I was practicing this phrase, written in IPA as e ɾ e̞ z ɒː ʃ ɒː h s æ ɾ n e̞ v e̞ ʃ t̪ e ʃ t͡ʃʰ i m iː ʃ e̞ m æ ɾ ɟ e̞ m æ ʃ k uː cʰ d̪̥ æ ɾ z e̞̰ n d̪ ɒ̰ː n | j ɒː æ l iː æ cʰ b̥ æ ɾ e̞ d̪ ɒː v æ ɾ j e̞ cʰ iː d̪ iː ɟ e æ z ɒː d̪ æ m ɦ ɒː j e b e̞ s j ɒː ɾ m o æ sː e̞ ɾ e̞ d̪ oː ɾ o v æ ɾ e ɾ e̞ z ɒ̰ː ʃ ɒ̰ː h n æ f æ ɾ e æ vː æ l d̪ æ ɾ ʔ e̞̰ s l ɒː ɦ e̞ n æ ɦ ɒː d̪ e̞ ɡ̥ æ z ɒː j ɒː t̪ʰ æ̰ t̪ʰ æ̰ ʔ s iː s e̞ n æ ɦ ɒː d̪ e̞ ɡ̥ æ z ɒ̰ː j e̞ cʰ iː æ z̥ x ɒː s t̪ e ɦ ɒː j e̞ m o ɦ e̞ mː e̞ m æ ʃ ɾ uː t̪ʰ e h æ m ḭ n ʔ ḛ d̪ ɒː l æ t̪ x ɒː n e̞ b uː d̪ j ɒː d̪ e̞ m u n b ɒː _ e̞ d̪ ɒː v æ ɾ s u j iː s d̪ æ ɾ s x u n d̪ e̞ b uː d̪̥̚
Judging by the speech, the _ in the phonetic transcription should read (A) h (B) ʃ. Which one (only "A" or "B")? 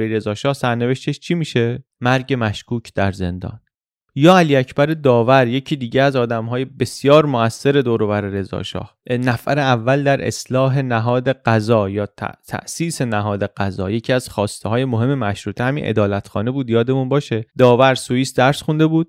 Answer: B